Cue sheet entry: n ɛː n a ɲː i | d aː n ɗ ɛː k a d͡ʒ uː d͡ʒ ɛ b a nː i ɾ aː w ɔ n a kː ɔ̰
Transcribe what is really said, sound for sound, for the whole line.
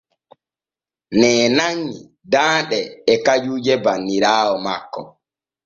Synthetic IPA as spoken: n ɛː n a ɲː i | d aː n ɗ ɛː k a d͡ʒ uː d͡ʒ ɛ b a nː i ɾ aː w ɔ m a kː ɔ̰